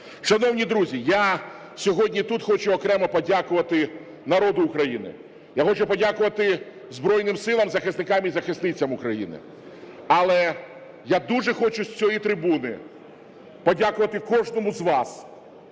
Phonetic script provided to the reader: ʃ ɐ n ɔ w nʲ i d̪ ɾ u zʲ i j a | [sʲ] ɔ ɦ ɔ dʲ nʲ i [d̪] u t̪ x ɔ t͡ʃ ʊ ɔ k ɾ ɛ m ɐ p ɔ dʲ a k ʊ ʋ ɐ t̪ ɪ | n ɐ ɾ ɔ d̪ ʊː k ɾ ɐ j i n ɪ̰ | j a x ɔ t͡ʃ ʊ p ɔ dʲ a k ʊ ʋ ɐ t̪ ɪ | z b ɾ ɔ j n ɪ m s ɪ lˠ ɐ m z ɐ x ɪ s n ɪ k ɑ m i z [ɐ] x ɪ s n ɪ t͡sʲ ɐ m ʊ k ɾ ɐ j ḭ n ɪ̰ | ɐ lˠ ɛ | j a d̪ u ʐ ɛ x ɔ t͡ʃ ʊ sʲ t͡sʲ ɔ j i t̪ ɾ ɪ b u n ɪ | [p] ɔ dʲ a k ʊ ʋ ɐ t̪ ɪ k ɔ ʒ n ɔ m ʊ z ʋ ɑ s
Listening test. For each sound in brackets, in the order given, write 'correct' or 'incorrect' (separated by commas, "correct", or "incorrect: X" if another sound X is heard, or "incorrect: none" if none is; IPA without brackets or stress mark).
correct, incorrect: t̪, correct, correct